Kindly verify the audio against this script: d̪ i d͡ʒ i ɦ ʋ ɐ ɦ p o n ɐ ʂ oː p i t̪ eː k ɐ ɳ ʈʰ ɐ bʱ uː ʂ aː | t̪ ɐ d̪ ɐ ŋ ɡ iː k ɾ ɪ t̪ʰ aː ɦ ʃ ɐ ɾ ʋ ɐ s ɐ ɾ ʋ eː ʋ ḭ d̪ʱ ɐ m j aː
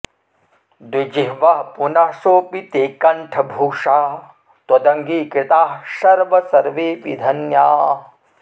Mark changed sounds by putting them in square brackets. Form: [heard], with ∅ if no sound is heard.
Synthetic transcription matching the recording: d̪ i d͡ʒ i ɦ ʋ ɐ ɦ p [u] n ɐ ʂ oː p i t̪ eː k ɐ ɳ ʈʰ ɐ bʱ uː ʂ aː | t̪ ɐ d̪ ɐ ŋ ɡ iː k ɾ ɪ [t̪] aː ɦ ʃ ɐ ɾ ʋ ɐ s ɐ ɾ ʋ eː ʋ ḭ d̪ʱ ɐ [n] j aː